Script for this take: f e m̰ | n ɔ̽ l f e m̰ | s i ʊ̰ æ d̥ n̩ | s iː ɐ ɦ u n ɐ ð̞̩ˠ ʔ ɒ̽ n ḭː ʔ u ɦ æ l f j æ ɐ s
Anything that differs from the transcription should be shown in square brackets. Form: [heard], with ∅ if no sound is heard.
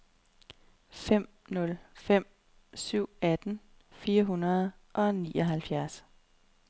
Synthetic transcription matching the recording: f e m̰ | n ɔ̽ l f e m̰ | s [y] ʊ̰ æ d̥ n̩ | [f] iː ɐ ɦ u n ɐ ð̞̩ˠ ʔ ɒ̽ n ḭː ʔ [ɒ] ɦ æ l f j æ ɐ s